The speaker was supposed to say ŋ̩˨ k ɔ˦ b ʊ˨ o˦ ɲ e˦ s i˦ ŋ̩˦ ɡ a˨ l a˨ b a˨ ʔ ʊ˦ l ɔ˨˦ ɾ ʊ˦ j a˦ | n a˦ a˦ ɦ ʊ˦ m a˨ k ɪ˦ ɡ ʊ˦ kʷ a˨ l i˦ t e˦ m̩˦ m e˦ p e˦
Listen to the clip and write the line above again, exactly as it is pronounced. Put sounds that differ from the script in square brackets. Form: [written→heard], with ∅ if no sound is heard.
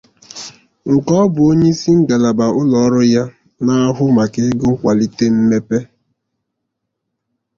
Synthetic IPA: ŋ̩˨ k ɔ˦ b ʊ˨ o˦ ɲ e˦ s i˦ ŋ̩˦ ɡ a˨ l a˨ b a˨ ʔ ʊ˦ l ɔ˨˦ ɾ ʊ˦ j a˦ | n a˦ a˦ ɦ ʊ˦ m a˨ k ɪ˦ ɡ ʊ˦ kʷ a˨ l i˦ t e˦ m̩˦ m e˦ p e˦